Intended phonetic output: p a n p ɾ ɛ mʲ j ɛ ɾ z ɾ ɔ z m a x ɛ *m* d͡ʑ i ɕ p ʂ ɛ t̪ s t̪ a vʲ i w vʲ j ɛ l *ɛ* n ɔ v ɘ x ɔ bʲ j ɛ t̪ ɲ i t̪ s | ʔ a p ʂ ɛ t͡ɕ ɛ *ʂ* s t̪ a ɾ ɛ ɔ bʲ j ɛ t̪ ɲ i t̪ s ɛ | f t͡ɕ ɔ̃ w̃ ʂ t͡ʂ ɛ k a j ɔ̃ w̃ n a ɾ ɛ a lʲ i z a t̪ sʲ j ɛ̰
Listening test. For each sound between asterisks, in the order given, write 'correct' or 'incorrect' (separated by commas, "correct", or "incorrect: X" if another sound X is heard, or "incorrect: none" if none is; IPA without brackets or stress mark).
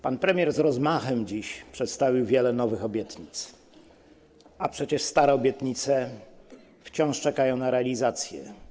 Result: correct, correct, correct